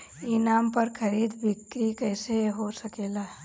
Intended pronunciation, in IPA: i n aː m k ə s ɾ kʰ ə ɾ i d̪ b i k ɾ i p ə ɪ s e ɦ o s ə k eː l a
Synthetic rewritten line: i n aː m p ə ɾ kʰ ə ɾ i d̪ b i k ɾ i k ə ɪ s e ɦ o s ə k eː l a